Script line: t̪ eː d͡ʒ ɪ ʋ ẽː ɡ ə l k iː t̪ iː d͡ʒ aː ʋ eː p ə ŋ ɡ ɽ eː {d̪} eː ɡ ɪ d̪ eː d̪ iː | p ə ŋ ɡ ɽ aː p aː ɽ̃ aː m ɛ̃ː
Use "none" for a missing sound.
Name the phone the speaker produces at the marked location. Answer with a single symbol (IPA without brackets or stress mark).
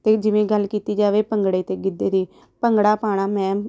t̪